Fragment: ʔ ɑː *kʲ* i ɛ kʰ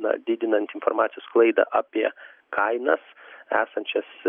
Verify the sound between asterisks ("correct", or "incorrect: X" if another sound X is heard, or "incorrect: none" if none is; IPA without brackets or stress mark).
incorrect: pʲ